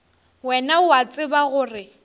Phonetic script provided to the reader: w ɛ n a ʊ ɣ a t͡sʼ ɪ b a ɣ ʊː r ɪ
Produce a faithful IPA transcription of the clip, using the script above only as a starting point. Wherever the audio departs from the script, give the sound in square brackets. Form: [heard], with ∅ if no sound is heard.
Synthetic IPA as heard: w ɛ n a ʊ [∅] a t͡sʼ ɪ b a ɣ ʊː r ɪ